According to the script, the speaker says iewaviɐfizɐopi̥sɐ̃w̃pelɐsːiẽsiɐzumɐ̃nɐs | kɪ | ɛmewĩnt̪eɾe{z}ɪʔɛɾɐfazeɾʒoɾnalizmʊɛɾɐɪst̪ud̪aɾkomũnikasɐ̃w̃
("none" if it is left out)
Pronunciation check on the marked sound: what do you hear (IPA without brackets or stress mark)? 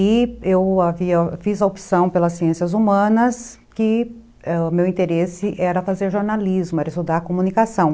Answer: s